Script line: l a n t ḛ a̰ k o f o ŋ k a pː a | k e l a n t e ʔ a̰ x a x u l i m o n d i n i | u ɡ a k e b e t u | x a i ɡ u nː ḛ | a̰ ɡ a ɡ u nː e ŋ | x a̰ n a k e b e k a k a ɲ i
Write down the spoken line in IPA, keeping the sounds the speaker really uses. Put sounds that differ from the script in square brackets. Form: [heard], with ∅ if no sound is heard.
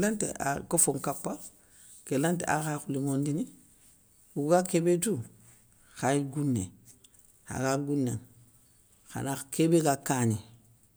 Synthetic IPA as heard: l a n t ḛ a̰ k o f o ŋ k a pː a | k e l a n t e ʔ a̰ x a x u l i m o n d i n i | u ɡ a k e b e t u | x a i ɡ u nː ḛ | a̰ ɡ a ɡ u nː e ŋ | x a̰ n a k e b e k a k a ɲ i

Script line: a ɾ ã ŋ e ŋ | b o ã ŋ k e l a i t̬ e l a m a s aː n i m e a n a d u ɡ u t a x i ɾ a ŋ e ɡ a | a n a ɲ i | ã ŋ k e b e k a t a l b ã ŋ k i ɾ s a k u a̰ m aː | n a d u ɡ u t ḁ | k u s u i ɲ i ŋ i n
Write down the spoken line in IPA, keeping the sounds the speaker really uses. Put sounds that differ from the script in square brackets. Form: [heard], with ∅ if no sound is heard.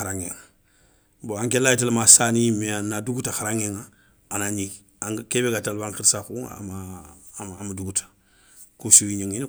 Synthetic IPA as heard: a ɾ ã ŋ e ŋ | b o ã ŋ k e l a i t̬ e l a m a s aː n i m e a n a d u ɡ u t a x [a] ɾ a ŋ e [ŋ] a | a n a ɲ i | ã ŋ k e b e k a t a l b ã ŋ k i ɾ s a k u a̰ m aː | [m] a d u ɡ u t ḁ | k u s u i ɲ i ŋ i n

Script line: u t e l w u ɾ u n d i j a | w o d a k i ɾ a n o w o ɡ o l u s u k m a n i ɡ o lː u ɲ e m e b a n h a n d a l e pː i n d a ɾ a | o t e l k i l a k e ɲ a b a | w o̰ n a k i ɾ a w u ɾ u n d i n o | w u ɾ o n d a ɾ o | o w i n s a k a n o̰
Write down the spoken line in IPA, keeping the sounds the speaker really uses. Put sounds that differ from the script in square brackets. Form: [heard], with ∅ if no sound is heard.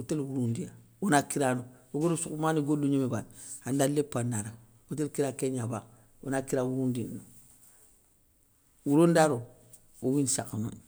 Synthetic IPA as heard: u t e l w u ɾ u n d i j a | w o [n] a k i ɾ a n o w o ɡ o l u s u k m a n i ɡ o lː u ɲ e m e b a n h a n d a l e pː [a] n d a ɾ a | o t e l k i [ɾ] a k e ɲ a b a | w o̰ n a k i ɾ a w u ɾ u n d i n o | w u ɾ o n d a ɾ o | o w i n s a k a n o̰

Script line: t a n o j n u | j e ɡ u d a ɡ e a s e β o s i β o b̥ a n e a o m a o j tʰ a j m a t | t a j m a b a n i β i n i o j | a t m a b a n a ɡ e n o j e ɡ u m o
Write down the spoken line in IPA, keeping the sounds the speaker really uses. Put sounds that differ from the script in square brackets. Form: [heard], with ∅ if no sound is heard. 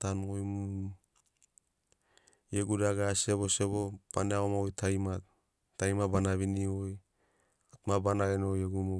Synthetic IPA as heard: t a n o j [m] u | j e ɡ u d a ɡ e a s e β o s [e] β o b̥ a n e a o m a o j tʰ a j m a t | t a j m a b a n [a] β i n i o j | a t m a b a n a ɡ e n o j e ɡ u m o

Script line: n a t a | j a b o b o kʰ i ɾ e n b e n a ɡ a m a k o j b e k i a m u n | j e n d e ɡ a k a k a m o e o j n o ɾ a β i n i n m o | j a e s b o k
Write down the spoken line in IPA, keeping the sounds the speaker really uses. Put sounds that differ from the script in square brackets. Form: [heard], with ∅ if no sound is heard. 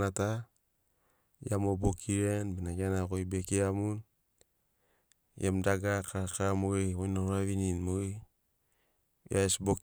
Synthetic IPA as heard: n a t a | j a [m] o b o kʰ i ɾ e n b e n a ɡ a [n] a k o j b e k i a m u n | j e [m] d [a] ɡ a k a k a m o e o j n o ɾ a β i n i n m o | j a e s b o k

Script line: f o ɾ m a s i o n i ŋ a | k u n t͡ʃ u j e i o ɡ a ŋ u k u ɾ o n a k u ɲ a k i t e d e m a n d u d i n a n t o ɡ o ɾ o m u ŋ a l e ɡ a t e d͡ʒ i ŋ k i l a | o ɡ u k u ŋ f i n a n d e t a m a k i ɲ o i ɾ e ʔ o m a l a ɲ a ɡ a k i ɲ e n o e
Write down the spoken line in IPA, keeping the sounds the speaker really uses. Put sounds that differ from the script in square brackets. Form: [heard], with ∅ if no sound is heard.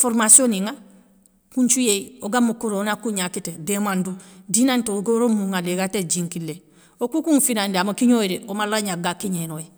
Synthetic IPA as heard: f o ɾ m a s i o n i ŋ a | k u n t͡ʃ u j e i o ɡ a [m] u k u ɾ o n a k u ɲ a k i t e d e m a n d u d i n a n t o ɡ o ɾ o m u ŋ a l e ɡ a t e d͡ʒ i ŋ k i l [e] | o [k] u k u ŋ f i n a n d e [∅] a m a k i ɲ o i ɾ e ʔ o m a l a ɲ a ɡ a k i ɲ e n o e

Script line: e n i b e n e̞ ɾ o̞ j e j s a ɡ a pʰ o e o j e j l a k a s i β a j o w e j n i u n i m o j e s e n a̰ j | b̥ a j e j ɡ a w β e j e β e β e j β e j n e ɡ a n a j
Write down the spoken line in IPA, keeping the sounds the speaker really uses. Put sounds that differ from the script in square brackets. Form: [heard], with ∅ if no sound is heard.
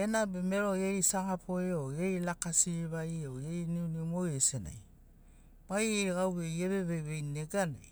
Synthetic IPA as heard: e n [a] b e [m] e̞ ɾ o̞ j e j s a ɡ a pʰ o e o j e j l a k a s i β a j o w e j n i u n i m o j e s e n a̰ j | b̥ a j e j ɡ a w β e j e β e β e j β e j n e ɡ a n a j

